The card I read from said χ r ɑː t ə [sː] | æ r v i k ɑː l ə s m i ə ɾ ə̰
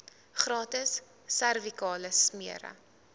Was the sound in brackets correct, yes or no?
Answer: yes